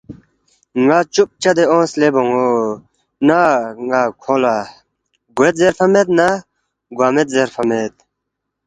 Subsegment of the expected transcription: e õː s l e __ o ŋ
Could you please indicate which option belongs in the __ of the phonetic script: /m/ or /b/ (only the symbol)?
b